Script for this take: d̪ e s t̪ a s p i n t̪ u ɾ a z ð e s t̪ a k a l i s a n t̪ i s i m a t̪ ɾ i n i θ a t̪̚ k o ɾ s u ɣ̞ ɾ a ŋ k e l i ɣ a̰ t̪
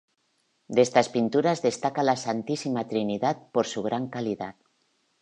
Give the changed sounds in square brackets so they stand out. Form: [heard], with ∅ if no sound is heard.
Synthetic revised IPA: d̪ e s t̪ a s p i n t̪ u ɾ a z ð e s t̪ a k a l [a] s a n t̪ i s i m a t̪ ɾ i n i [ð] a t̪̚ [p] o ɾ s u ɣ̞ ɾ a ŋ k [a] l i [ð] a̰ t̪